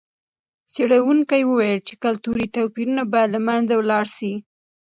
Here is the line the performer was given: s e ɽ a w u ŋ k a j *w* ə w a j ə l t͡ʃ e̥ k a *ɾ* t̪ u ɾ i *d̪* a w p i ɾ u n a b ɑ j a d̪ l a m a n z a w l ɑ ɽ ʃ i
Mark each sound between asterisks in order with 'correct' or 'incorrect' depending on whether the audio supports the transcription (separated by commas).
correct, incorrect, incorrect